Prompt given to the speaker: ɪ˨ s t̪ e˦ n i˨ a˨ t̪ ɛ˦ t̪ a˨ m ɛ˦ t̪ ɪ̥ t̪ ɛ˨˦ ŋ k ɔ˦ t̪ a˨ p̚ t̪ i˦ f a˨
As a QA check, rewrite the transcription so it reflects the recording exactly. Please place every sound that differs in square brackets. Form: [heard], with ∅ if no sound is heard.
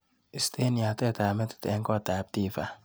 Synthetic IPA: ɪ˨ s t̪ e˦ n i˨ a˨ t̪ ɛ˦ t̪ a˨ m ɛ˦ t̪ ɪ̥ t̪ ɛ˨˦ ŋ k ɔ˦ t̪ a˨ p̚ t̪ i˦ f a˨